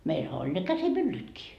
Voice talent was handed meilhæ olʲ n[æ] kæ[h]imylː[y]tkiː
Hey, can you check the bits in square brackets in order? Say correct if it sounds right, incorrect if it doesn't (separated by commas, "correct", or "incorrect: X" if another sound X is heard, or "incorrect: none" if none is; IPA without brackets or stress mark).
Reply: incorrect: e, incorrect: s, correct